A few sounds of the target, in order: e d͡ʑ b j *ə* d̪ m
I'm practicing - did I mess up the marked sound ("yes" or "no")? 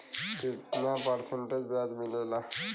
yes